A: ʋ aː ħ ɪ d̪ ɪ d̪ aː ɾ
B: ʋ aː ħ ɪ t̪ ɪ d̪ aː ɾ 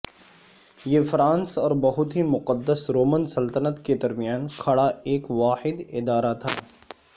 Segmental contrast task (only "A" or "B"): A